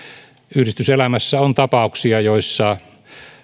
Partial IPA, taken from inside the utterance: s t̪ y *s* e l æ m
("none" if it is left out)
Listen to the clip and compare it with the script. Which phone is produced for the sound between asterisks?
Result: s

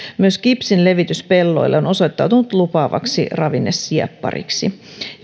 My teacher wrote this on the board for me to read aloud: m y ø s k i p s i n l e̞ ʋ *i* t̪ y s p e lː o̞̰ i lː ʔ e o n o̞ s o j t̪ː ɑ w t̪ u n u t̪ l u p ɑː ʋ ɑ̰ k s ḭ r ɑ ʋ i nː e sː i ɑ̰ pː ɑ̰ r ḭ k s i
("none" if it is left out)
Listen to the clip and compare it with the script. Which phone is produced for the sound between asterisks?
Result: i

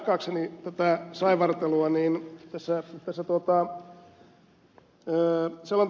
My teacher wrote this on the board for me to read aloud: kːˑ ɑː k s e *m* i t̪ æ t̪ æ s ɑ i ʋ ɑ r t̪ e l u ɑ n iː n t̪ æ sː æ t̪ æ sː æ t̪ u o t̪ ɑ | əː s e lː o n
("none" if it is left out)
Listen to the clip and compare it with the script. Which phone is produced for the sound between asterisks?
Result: n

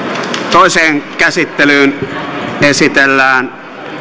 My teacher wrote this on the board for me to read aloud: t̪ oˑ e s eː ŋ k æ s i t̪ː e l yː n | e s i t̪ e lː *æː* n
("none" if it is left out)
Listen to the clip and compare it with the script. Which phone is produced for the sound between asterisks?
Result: æː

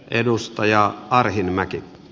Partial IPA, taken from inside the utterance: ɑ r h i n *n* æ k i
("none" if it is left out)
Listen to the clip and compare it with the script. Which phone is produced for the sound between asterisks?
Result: m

